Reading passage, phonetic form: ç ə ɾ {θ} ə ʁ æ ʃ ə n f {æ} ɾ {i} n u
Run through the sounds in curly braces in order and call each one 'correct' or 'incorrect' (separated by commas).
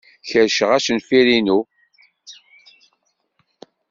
incorrect, incorrect, correct